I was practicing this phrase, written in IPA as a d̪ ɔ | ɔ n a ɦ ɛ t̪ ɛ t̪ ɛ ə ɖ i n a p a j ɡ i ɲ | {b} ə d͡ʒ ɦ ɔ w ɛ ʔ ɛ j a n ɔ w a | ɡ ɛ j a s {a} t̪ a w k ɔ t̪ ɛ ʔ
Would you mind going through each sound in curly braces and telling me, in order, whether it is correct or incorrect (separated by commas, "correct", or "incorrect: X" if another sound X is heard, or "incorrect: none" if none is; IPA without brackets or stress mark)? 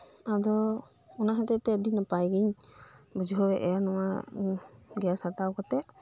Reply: correct, correct